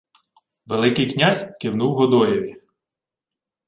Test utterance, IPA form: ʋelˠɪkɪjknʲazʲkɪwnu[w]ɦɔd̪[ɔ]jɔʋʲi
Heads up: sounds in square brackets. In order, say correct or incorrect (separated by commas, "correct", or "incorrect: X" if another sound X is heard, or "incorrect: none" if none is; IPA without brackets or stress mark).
correct, correct